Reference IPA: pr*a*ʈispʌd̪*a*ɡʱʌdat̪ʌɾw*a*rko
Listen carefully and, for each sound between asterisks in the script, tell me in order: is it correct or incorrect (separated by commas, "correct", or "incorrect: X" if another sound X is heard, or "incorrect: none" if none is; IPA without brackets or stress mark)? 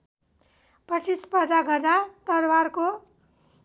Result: incorrect: ʌ, correct, correct